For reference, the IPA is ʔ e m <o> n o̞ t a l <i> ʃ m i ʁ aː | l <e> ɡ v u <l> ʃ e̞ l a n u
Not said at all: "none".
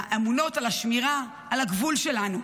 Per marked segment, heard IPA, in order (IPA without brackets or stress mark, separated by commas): u, a, a, l